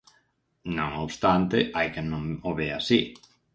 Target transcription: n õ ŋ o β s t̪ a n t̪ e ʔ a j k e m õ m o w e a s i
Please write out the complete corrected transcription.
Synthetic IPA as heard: n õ ŋ o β s t̪ a n t̪ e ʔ a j k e n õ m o β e a s i